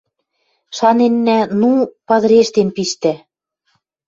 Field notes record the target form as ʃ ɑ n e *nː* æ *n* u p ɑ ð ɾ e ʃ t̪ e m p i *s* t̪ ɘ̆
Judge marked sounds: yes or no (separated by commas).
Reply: yes, yes, no